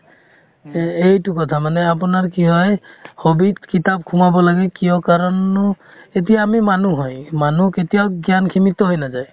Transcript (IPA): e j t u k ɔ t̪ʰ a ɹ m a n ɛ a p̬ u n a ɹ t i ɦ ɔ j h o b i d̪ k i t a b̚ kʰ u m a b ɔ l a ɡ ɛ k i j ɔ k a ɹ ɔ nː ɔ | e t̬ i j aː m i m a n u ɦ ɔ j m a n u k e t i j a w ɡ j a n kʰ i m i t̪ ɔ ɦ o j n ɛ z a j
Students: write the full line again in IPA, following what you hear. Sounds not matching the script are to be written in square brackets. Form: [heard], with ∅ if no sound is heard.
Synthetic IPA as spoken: e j t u k ɔ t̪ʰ a [∅] m a n ɛ a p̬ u n a ɹ [k] i ɦ ɔ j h o b i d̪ k i t a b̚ kʰ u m a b ɔ l a ɡ ɛ k i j ɔ k a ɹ ɔ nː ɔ | e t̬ i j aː m i m a n u ɦ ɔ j m a n u k e t i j a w ɡ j a n kʰ i m i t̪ ɔ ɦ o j n [a] z a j